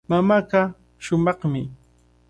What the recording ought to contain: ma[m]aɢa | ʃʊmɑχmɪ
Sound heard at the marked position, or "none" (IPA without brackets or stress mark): m